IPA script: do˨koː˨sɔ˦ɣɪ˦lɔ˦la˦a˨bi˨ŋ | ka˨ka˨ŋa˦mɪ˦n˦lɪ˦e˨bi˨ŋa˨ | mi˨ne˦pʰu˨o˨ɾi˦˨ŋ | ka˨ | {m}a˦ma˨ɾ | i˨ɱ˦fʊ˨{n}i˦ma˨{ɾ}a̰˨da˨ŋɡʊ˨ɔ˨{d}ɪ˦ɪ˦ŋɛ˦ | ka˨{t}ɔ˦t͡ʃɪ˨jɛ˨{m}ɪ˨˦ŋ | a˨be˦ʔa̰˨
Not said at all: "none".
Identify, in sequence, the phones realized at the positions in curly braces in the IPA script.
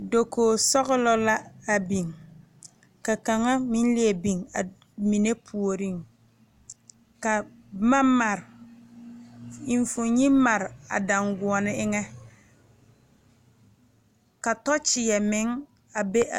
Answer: m, ɲ, ɾ, n, t, m

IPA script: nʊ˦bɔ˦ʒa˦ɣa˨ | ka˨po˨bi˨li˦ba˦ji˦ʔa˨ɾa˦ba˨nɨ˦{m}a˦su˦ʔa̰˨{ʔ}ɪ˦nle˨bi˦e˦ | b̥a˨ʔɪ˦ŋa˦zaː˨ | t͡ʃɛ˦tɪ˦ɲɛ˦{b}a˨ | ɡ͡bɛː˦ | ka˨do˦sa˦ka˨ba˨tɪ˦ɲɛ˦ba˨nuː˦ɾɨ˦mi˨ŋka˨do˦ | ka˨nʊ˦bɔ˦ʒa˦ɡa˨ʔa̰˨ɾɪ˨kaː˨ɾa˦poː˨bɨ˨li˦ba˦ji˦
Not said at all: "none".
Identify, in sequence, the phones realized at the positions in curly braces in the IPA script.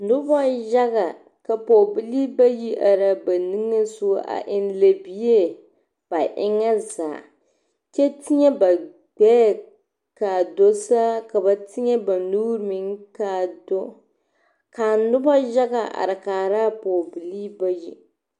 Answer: ŋ, ʔ, b

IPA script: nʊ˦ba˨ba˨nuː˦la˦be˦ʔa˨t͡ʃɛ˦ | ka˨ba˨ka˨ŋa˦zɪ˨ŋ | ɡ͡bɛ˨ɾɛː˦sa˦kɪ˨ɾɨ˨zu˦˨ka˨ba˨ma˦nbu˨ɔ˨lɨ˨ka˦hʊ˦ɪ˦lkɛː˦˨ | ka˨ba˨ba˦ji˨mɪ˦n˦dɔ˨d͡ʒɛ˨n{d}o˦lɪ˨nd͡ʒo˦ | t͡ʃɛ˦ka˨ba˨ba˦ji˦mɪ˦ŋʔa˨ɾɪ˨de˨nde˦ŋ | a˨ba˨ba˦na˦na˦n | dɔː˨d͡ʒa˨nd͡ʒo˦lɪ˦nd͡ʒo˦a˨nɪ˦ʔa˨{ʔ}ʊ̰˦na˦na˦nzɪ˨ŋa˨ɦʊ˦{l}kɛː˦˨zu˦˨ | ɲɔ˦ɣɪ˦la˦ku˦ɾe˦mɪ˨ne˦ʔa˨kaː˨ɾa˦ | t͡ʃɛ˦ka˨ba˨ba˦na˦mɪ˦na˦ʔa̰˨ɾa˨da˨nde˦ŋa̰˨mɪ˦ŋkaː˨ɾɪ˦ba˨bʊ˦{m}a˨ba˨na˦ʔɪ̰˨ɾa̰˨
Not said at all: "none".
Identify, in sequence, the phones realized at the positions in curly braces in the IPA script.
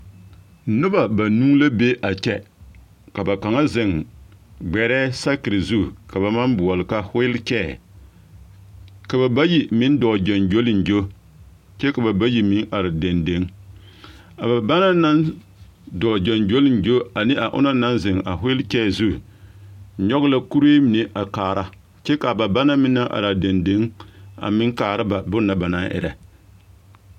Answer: d͡ʒ, ʔ, l, n

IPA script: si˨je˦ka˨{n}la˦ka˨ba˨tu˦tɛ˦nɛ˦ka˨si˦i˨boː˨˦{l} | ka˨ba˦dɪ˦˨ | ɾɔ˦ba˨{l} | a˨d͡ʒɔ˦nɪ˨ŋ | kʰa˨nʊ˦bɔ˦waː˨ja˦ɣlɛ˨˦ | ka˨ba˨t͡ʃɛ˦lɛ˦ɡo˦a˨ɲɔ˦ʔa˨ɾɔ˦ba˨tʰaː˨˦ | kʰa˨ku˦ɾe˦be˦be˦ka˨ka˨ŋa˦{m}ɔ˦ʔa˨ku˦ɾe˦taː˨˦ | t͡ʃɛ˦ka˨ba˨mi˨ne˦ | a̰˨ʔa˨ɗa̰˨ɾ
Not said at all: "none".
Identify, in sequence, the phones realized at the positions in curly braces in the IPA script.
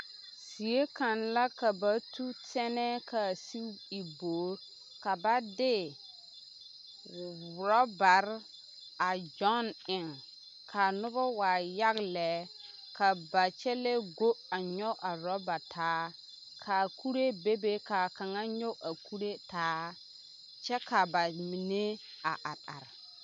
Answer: n, ɾ, ɾ, ɲ

